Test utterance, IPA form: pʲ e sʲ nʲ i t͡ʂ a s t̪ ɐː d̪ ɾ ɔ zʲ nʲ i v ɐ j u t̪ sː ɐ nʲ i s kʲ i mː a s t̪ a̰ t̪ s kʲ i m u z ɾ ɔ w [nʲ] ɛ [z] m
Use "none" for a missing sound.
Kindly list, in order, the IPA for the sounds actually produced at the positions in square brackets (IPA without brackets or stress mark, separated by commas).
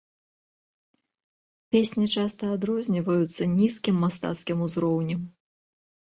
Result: nʲ, none